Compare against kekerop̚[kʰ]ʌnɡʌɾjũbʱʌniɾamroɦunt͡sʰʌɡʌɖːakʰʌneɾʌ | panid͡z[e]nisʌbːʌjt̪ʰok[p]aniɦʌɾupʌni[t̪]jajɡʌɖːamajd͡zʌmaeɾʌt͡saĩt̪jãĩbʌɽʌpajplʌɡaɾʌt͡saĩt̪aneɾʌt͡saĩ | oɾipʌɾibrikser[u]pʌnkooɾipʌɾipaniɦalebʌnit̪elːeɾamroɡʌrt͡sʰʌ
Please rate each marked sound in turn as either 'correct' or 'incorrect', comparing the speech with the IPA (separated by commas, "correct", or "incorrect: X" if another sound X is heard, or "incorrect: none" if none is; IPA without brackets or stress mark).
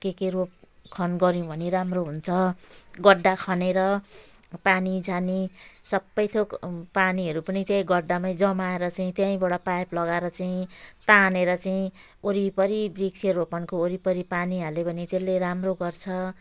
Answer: correct, incorrect: a, correct, correct, incorrect: o